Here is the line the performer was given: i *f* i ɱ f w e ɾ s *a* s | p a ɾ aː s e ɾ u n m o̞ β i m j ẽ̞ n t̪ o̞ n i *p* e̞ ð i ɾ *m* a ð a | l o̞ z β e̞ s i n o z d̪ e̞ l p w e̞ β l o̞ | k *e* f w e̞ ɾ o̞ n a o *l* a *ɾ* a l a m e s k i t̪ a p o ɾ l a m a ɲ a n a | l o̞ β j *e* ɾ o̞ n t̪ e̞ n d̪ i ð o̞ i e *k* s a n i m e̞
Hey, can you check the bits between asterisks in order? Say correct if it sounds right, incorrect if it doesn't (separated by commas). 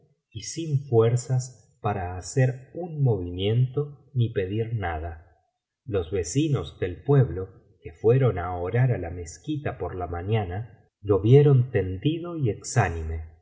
incorrect, correct, correct, incorrect, correct, incorrect, correct, correct, correct